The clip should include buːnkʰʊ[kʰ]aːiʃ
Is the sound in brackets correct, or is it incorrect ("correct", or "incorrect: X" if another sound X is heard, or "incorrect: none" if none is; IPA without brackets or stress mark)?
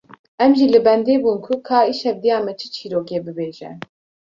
correct